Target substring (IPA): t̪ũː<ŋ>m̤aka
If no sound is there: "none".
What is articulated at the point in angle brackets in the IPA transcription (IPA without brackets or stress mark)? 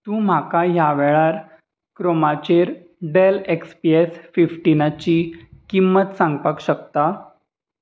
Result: none